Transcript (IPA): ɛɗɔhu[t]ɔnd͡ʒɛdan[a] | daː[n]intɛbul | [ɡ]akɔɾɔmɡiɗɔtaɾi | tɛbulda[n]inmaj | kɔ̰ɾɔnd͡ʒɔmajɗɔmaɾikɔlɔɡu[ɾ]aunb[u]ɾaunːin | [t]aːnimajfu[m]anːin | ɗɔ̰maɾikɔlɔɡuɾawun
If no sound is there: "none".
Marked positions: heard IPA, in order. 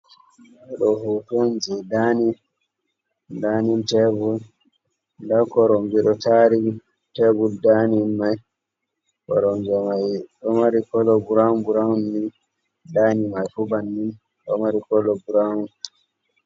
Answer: t, i, n, d, n, ɾ, u, d, b

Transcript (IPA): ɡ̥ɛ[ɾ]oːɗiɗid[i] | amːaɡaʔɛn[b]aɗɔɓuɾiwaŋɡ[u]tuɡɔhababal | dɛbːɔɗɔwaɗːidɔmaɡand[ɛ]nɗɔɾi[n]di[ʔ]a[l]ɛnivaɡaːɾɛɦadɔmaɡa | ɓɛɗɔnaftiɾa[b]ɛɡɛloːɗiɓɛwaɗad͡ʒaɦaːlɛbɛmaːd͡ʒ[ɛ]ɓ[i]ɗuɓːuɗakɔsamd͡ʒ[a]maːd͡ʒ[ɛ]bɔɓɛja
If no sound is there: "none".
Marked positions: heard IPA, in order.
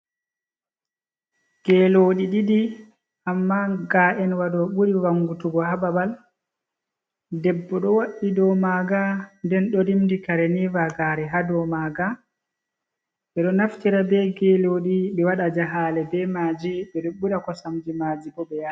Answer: l, i, w, u, ɛ, m, k, ɾ, b, i, ɛ, i, i

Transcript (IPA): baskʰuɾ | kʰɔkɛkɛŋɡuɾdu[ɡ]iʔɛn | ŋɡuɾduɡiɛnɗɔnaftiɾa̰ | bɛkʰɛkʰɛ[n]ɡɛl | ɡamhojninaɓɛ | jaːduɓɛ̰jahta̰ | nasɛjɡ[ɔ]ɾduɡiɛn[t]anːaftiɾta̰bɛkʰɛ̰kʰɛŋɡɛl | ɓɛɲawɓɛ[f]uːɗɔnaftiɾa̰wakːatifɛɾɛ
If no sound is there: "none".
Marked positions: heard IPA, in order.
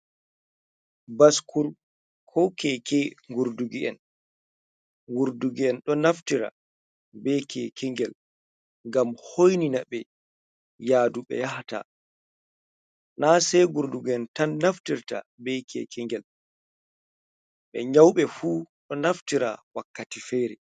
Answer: ɡ, ŋ, u, t, f

